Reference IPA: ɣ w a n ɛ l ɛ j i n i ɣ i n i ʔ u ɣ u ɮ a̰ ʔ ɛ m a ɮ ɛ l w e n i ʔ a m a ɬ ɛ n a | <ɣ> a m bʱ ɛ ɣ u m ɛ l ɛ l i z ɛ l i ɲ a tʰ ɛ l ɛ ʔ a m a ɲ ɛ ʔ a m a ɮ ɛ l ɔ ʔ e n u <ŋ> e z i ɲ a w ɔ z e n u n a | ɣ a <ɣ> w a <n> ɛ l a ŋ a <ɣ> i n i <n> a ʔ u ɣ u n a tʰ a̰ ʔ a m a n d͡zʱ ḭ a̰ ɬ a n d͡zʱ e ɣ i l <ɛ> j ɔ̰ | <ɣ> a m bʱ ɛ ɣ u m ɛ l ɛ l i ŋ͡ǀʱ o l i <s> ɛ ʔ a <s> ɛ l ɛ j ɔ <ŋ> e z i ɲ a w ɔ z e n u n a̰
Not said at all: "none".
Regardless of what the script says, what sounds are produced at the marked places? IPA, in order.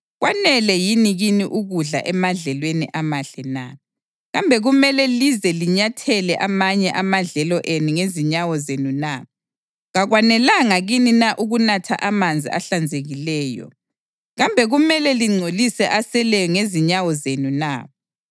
ɣ, ŋ, ɣ, n, ɣ, n, ɛː, ɣ, s, s, ŋ

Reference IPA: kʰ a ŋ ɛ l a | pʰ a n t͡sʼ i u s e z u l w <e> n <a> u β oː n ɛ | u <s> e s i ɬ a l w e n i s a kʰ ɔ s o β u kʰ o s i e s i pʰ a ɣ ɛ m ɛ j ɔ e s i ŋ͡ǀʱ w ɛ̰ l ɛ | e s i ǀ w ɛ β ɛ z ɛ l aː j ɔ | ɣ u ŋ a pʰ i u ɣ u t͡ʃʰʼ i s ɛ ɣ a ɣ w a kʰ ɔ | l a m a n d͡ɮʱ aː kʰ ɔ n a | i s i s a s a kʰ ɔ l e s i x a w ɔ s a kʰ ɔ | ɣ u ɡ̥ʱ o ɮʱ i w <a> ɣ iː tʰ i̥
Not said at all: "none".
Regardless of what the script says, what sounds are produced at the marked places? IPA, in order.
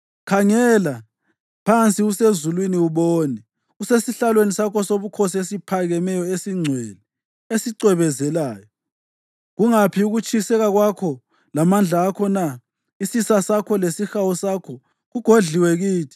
i, i, s, ɛ

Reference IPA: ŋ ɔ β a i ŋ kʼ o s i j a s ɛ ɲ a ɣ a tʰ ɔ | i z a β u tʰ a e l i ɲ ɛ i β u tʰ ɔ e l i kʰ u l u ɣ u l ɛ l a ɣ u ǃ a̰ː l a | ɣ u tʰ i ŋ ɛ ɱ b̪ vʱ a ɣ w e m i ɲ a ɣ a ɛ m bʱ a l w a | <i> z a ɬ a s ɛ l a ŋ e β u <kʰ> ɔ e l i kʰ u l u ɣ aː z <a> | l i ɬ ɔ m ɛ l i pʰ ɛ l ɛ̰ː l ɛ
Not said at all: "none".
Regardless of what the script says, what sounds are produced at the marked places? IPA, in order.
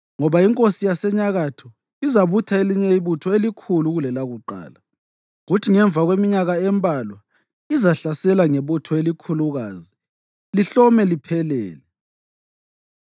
i, tʰ, i

